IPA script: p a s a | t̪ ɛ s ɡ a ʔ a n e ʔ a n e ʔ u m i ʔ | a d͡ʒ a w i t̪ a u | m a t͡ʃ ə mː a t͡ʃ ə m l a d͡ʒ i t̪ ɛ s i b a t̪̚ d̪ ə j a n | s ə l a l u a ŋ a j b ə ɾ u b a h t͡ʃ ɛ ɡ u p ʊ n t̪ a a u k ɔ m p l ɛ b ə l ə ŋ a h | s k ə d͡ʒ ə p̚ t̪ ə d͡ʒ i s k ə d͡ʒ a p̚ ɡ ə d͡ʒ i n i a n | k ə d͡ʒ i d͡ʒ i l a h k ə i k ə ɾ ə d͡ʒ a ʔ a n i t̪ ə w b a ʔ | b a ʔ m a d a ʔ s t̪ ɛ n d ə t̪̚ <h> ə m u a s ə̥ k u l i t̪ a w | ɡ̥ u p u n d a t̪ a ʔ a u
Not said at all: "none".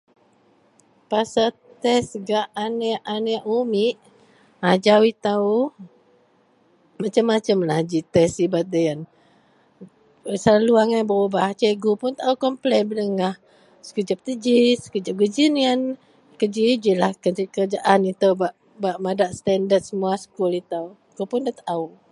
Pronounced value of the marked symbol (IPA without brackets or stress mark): s